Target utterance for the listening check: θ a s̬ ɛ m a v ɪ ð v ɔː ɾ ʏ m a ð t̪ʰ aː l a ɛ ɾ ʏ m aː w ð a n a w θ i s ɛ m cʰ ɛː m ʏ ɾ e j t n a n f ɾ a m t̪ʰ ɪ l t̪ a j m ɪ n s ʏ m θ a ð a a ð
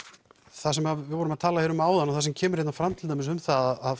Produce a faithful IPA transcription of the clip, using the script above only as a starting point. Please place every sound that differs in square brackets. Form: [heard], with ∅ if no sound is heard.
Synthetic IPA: θ a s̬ ɛ m a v ɪ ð v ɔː ɾ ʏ m a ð t̪ʰ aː l a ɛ ɾ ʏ m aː w ð a n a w θ [a] s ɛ m cʰ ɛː m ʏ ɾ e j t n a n f ɾ a m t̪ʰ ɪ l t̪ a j m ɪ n s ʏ m θ a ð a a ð